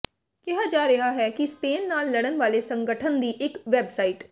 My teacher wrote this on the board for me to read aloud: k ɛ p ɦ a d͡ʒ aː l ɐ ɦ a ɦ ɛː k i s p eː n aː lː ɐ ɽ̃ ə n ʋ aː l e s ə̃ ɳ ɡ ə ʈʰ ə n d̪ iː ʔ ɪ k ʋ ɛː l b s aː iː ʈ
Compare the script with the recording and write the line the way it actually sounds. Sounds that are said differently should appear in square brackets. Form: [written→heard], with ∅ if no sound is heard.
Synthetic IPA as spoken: k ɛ [p→∅] ɦ a d͡ʒ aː [l→ɾ] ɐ ɦ a ɦ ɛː k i s p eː [n→nː] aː lː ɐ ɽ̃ ə n ʋ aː l e s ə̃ [ɳ→ŋ] ɡ ə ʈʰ ə n d̪ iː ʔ ɪ k ʋ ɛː [l→∅] b s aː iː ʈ